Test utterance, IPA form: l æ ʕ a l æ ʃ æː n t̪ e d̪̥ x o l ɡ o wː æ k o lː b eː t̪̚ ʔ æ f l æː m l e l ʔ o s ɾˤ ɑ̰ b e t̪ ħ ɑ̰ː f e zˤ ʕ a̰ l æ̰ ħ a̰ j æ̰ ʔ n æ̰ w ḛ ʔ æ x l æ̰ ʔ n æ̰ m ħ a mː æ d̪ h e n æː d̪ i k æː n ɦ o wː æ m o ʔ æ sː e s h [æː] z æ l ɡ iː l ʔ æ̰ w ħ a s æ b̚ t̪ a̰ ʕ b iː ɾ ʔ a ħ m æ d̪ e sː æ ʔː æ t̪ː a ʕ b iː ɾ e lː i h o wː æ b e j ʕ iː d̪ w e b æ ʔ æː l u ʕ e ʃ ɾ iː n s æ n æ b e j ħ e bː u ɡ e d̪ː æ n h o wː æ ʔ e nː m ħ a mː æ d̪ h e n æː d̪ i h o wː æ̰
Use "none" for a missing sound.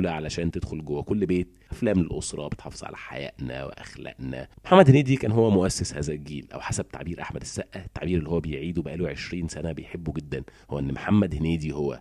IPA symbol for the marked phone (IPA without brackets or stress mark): æː